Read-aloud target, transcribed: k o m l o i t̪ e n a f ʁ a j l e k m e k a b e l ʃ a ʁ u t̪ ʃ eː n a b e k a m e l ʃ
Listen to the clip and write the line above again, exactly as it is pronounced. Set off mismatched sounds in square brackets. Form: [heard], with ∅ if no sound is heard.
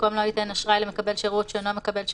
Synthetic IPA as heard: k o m l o i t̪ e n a [ʃ] ʁ a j l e [∅] m e k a b e l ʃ [e] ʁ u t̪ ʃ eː n a [m] e k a [b] e l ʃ